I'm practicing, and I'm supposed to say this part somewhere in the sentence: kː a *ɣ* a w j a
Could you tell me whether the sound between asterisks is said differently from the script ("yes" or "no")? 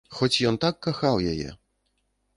yes